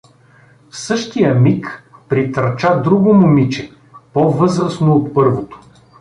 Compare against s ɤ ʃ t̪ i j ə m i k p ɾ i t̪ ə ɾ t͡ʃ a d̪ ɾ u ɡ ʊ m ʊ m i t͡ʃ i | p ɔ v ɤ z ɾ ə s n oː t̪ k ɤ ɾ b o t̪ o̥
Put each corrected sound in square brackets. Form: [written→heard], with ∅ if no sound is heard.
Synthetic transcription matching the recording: s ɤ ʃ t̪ i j ə m i k p ɾ i t̪ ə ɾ t͡ʃ a d̪ ɾ u ɡ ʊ m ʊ m i t͡ʃ [i→ɛ] | p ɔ v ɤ z ɾ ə s n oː t̪ [k→p] ɤ ɾ [b→v] o t̪ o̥